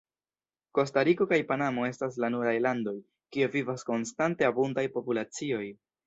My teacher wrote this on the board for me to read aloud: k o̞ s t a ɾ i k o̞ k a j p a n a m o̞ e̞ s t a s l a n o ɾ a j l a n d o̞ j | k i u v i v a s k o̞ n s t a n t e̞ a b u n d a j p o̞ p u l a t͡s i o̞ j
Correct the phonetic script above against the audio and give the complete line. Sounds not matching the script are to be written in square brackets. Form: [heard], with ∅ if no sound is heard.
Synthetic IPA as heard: k o̞ s t a ɾ i k o̞ k a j p a n a m o̞ e̞ s t a s l a n [u] ɾ a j l a n d o̞ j | k i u v i v a s k o̞ n s t a n t e̞ a b u n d a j p o̞ p u l a t͡s i o̞ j